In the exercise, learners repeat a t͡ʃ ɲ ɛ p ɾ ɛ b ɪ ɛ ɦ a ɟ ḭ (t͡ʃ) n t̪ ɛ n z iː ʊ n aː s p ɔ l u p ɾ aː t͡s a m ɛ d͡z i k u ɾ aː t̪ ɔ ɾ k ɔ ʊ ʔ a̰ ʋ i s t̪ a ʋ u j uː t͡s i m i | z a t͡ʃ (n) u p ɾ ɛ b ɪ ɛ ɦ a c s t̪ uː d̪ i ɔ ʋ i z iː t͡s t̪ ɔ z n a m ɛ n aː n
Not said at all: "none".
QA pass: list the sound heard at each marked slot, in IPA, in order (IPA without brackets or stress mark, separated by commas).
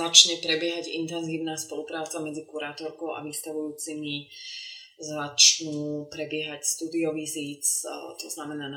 none, n